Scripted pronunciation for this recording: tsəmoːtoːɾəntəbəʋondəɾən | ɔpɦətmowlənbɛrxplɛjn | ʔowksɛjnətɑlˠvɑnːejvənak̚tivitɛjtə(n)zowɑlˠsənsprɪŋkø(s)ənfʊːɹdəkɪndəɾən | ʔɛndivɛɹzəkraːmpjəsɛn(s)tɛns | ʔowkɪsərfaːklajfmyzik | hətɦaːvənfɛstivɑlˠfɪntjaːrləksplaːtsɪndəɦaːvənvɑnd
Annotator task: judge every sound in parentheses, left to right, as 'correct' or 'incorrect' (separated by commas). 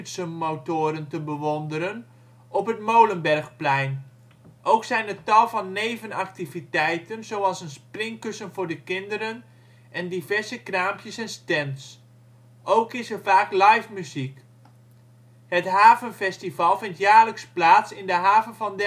correct, correct, correct